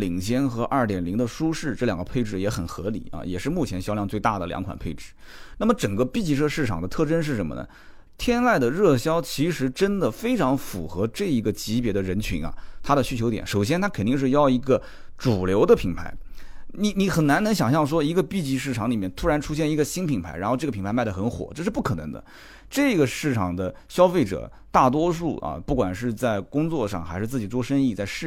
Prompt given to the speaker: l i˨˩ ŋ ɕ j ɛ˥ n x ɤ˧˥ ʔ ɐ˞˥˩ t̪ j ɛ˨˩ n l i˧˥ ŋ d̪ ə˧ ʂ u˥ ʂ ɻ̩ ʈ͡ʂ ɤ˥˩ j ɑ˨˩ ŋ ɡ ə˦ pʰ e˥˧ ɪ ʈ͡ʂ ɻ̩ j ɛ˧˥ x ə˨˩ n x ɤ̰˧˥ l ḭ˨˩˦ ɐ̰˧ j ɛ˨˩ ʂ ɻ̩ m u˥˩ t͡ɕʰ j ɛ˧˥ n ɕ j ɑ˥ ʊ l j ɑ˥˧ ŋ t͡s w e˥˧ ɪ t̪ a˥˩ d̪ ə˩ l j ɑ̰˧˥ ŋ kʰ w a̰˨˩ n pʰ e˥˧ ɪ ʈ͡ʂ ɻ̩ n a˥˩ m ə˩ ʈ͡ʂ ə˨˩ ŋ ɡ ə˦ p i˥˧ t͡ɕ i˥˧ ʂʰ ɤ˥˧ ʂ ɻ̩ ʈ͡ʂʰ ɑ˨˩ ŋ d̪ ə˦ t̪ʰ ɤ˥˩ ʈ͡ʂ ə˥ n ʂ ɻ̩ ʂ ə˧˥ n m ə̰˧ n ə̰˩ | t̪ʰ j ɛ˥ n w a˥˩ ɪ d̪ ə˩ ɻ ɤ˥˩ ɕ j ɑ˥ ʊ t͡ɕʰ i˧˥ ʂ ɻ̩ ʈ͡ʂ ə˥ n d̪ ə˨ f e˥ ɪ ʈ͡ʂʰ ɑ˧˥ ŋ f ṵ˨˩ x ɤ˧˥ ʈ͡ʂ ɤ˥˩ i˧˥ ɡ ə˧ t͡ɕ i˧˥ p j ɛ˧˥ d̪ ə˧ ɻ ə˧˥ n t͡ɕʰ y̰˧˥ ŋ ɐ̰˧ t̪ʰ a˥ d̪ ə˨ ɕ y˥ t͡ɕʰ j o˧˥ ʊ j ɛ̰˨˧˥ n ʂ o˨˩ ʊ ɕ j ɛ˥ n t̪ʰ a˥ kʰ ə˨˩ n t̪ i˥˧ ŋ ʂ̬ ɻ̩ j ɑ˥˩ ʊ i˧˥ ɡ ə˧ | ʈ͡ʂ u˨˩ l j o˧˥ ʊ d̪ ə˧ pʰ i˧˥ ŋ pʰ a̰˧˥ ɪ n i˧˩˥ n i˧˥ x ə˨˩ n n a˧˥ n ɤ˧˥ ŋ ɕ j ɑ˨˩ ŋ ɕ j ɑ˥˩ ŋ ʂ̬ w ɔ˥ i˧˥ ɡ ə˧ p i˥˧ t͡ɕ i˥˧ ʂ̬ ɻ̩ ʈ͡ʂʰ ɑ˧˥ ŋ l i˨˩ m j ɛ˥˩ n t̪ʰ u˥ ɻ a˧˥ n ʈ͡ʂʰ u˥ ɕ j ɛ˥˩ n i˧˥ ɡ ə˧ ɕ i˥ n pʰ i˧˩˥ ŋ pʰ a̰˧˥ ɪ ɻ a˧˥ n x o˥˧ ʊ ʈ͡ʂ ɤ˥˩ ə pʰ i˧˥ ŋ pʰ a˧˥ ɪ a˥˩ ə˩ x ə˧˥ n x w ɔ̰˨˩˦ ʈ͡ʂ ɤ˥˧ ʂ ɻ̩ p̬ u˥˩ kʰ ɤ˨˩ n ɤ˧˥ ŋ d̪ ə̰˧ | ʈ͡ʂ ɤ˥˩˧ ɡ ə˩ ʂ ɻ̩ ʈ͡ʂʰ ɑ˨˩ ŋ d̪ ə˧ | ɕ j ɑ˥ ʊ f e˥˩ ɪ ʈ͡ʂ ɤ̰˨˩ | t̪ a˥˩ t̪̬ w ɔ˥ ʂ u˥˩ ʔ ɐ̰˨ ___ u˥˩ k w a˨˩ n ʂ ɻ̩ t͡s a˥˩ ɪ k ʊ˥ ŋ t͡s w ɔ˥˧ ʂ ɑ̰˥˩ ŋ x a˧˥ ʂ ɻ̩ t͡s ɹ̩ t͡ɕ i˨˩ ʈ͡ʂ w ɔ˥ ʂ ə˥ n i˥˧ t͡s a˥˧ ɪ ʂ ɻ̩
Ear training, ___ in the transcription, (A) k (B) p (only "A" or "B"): B